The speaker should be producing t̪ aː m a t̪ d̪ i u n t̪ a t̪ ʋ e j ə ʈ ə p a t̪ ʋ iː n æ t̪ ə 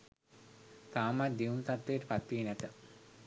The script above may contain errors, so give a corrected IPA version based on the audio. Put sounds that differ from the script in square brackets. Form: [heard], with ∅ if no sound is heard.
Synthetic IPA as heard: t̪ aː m a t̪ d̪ i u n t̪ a t̪ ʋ e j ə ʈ ə p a t̪ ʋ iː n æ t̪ ə